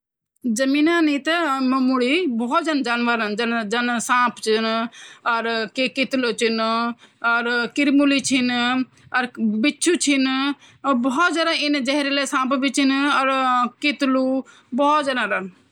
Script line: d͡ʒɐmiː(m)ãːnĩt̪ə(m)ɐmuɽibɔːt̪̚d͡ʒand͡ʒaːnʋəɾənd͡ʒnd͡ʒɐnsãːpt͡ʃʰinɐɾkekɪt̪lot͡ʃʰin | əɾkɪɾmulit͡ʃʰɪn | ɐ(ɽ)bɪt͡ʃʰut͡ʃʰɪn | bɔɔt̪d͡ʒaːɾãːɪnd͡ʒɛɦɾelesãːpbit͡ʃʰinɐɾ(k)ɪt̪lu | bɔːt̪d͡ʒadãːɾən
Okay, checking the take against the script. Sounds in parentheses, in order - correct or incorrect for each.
incorrect, correct, incorrect, correct

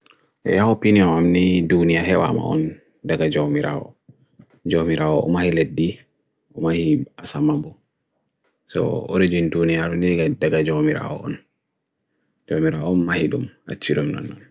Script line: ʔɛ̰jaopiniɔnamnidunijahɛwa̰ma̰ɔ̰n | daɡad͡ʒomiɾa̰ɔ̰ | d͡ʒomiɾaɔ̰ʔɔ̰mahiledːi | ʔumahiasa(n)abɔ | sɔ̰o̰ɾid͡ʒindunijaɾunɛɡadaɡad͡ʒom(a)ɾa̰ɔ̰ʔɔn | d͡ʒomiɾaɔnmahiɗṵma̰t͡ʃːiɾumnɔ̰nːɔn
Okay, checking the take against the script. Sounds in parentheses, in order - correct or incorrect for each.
incorrect, incorrect

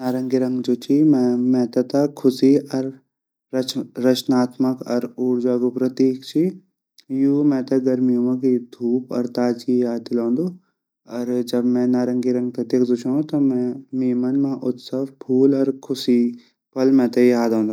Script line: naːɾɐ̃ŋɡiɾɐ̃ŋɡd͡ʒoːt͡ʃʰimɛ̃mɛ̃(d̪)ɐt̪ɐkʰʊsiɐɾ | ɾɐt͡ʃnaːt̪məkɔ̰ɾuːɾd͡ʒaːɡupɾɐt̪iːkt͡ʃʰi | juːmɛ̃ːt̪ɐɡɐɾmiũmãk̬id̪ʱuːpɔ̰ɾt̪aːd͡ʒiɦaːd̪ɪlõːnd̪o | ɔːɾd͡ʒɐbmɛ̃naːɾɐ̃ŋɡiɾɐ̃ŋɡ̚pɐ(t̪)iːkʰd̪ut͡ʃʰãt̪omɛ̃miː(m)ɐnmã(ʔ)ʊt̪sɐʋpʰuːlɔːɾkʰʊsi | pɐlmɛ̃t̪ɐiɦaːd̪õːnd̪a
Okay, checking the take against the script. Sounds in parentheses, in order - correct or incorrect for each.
incorrect, correct, correct, correct

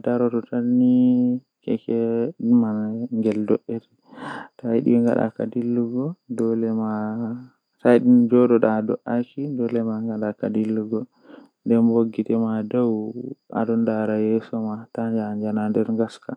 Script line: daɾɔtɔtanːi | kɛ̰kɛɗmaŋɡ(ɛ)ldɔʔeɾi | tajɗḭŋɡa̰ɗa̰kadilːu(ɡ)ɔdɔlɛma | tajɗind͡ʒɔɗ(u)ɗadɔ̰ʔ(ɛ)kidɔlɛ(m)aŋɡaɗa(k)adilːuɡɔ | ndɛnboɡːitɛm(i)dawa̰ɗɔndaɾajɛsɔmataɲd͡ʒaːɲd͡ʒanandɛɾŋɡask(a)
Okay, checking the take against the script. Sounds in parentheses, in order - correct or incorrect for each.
correct, correct, incorrect, incorrect, correct, correct, incorrect, correct

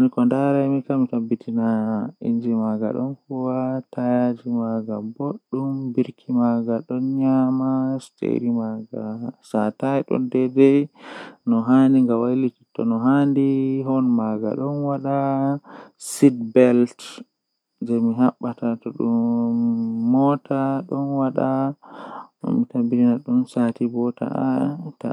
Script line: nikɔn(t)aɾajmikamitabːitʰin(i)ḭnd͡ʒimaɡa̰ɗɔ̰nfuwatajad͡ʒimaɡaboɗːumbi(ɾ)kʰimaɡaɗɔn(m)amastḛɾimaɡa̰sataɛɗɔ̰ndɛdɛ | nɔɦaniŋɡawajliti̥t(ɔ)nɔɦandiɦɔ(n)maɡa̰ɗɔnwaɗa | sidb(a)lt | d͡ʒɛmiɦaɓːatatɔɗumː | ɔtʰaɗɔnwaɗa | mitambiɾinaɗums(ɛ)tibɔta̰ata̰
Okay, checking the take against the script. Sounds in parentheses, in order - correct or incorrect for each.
incorrect, incorrect, correct, incorrect, correct, correct, incorrect, incorrect

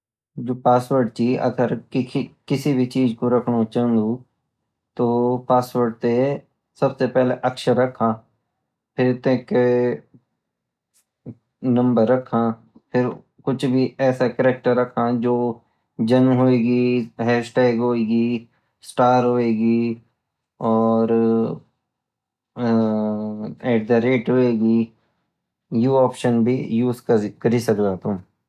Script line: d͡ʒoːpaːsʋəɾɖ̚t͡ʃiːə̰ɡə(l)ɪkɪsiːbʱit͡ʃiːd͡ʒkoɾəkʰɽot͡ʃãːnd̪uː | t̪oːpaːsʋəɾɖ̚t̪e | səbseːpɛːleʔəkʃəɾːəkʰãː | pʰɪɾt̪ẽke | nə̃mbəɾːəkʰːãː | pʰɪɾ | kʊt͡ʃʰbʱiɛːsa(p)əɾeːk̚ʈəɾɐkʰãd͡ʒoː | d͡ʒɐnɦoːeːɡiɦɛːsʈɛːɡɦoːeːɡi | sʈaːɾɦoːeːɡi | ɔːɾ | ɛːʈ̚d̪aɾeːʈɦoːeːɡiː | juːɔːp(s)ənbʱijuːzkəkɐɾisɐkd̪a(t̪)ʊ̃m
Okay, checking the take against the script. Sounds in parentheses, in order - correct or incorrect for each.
incorrect, incorrect, incorrect, correct

